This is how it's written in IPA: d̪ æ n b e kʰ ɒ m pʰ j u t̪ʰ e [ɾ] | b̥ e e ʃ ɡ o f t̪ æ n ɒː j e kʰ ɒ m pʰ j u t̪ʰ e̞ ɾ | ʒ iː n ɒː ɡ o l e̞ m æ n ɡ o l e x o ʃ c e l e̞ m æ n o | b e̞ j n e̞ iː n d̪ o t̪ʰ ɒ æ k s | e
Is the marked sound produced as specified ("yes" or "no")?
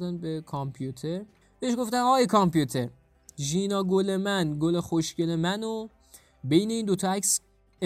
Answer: yes